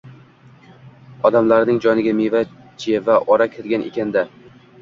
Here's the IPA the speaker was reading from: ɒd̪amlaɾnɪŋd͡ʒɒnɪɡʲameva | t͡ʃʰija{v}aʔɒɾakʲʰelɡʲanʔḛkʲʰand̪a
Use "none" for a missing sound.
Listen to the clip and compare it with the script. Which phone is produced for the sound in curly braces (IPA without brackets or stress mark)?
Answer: v